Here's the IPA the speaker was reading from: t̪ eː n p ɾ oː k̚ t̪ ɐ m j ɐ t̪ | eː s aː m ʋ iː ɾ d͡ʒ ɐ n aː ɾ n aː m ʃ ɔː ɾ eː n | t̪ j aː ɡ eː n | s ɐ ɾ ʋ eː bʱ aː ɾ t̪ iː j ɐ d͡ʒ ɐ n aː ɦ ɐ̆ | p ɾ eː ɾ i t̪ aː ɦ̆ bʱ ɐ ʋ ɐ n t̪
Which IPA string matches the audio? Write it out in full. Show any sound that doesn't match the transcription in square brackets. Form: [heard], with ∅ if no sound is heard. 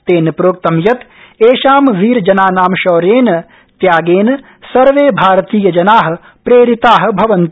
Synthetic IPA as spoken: t̪ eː n p ɾ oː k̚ t̪ ɐ m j ɐ t̪ | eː [ʃ] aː m ʋ iː ɾ d͡ʒ ɐ n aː [∅] n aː m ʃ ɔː ɾ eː n | t̪ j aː ɡ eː n | s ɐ ɾ ʋ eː bʱ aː ɾ t̪ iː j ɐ d͡ʒ ɐ n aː ɦ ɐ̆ | p ɾ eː ɾ i t̪ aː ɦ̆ bʱ ɐ ʋ ɐ n t̪